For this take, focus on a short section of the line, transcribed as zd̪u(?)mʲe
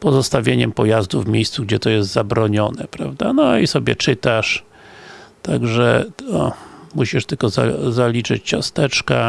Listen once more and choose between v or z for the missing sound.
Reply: v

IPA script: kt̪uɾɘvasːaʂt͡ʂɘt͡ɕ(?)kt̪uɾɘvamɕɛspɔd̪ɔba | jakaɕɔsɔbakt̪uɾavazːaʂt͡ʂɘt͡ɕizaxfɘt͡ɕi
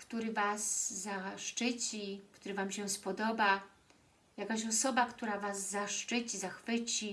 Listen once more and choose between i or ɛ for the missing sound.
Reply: i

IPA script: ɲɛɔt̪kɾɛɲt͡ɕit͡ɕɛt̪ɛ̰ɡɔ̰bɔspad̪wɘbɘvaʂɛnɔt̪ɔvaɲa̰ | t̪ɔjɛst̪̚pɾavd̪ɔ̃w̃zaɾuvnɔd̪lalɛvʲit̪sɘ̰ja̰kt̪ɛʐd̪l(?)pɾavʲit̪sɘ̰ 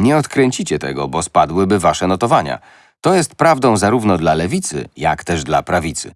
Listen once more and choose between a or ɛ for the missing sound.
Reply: a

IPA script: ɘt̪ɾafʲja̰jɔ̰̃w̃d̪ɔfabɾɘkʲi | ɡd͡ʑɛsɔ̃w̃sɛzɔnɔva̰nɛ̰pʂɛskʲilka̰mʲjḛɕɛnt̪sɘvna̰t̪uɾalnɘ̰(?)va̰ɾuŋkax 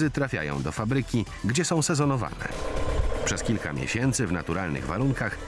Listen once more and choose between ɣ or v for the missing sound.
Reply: ɣ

